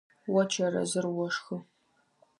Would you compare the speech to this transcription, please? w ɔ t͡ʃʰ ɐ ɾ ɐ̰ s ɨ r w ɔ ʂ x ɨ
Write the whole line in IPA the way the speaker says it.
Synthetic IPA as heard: w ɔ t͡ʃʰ ɐ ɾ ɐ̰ z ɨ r w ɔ ʂ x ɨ